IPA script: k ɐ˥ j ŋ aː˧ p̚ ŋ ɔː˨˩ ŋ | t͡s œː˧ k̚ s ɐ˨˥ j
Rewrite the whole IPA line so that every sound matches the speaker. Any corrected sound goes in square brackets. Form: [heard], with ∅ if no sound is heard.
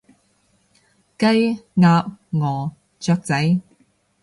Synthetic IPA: k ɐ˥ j ŋ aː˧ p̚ ŋ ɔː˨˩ [∅] | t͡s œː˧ k̚ [t͡s] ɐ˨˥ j